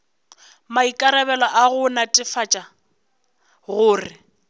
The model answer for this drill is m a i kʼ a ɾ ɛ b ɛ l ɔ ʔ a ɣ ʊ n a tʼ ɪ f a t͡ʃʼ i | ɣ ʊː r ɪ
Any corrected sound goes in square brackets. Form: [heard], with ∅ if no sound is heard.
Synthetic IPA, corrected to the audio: m a i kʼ a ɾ ɛ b ɛ l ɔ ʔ a ɣ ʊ n a tʼ ɪ f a t͡ʃʼ [a] | ɣ ʊː r ɪ